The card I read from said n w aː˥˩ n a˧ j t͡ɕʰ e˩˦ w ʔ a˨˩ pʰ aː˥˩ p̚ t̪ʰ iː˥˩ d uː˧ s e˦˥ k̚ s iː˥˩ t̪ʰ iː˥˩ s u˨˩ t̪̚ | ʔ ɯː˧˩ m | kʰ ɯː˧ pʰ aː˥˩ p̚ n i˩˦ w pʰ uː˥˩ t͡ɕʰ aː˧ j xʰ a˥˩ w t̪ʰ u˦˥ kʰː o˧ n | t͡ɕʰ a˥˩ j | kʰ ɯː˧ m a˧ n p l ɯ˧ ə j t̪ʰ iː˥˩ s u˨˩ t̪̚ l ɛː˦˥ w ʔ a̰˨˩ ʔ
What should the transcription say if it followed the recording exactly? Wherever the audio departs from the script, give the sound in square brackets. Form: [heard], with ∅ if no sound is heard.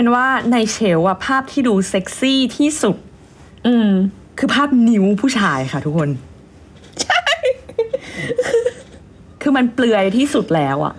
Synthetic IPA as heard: n w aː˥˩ n a˧ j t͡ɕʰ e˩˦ w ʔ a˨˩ pʰ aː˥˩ p̚ t̪ʰ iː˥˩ d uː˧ s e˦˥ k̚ s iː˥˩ t̪ʰ iː˥˩ s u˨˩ t̪̚ | ʔ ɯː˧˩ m | kʰ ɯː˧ pʰ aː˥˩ p̚ n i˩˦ w pʰ uː˥˩ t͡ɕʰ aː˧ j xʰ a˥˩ [∅] t̪ʰ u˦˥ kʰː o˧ n | t͡ɕʰ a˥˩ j | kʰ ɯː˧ m a˧ n p l ɯ˧ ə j t̪ʰ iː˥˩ s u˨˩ t̪̚ l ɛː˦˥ w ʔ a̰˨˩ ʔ